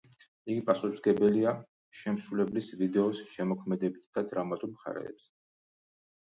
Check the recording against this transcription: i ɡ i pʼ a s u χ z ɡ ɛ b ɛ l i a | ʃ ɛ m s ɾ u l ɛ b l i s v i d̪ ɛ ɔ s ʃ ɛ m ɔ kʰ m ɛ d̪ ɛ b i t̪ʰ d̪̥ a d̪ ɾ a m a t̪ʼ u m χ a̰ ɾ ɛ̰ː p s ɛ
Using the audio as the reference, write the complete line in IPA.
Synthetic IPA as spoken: i ɡ i pʼ a s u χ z ɡ ɛ b ɛ l i a | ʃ ɛ m s ɾ u l ɛ b l i s v i d̪ ɛ ɔ s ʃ ɛ m ɔ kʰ m ɛ d̪ ɛ b i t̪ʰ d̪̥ a d̪ ɾ a m a t̪ʼ u m χ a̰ ɾ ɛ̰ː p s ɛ